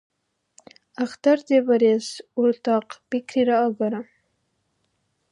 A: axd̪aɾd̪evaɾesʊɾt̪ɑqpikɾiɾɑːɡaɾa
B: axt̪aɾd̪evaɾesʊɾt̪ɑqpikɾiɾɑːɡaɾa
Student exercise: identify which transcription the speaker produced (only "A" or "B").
B